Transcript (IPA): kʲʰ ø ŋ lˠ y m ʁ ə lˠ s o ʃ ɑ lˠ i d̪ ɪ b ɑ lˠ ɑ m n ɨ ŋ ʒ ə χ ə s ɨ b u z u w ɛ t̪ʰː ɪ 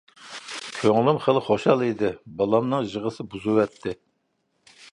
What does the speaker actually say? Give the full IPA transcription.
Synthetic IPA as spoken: kʲʰ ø ŋ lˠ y m χ ə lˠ χ o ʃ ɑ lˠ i d̪ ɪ b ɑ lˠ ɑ m n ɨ ŋ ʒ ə ʁ ə s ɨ b u z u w ɛ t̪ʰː ɪ